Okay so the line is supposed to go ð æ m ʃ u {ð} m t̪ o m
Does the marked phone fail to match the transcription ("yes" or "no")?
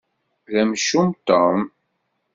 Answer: yes